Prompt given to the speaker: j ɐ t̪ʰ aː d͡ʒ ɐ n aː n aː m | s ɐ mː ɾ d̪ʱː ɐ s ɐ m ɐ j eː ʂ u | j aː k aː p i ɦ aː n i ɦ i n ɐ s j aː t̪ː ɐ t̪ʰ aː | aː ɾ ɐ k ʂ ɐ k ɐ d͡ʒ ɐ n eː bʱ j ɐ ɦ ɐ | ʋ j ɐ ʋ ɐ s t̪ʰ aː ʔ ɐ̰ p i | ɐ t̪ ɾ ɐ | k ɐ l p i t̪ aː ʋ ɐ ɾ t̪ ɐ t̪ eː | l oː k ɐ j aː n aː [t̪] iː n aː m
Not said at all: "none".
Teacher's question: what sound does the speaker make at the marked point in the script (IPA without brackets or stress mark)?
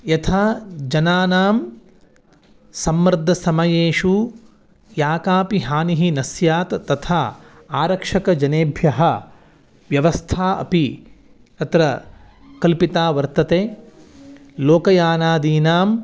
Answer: d̪